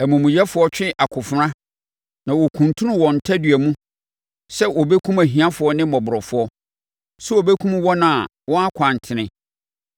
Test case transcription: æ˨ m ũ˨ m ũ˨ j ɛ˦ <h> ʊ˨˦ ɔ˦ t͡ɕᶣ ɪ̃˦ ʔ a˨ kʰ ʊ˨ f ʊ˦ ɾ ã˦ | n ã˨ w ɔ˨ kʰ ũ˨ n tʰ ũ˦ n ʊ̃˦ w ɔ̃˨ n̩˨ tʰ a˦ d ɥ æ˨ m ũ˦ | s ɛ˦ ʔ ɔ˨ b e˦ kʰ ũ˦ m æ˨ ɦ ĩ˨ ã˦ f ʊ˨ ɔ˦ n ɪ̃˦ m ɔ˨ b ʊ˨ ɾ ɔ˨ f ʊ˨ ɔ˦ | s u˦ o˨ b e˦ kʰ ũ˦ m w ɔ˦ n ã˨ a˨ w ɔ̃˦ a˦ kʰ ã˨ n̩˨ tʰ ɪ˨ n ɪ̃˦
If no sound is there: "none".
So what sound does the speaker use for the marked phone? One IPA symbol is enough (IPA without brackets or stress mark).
f